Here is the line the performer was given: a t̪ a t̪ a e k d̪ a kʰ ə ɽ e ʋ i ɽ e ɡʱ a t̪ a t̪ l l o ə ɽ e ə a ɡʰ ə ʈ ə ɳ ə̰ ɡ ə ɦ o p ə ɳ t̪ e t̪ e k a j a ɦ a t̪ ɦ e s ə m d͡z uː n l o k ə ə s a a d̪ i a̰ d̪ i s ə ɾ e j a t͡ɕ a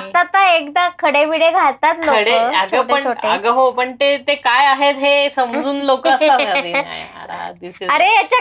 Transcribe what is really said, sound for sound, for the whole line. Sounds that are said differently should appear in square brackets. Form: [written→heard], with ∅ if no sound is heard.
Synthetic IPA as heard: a t̪ a t̪ a e k d̪ a kʰ ə ɽ e ʋ i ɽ e ɡʱ a t̪ a t̪ l l o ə ɽ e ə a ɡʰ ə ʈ ə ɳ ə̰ ɡ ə ɦ o p ə ɳ t̪ e t̪ e k a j a ɦ [a→e] t̪ ɦ e s ə m d͡z uː n l o k ə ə s a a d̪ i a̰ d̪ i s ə ɾ e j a t͡ɕ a